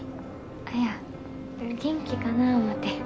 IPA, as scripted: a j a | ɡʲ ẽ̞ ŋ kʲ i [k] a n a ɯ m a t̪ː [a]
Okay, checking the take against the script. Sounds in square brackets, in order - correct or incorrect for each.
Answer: correct, incorrect: e

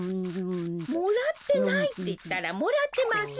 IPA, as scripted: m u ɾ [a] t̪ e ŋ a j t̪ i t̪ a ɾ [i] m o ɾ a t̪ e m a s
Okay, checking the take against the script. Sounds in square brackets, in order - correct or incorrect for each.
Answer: correct, incorrect: a

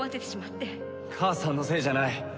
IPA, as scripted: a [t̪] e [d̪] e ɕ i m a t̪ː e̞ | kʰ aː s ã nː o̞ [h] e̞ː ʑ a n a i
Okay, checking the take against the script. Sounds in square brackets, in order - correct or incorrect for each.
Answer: correct, incorrect: t̪, incorrect: s

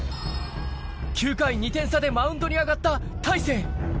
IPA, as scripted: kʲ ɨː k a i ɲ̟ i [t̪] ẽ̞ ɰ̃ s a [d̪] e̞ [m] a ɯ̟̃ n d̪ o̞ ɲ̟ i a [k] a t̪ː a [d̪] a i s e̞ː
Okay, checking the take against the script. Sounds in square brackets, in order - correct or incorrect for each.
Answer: correct, correct, correct, incorrect: ɡ, incorrect: t̪

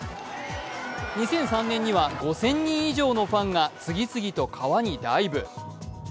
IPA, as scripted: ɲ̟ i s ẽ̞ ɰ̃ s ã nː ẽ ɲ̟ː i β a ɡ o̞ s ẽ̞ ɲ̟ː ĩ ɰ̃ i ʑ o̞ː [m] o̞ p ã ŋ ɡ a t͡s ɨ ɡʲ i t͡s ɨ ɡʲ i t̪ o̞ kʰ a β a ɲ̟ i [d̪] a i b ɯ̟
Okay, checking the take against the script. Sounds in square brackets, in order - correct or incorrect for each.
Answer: incorrect: n, correct

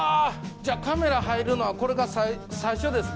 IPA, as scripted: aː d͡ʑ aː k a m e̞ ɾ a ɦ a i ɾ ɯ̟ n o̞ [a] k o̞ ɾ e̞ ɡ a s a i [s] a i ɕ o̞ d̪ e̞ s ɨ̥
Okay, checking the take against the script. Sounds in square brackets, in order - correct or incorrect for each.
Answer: correct, correct

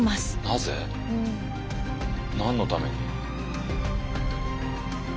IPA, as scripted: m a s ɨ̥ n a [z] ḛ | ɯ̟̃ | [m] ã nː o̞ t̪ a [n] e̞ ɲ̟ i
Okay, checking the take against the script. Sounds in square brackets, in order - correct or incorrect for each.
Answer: correct, incorrect: n, incorrect: m

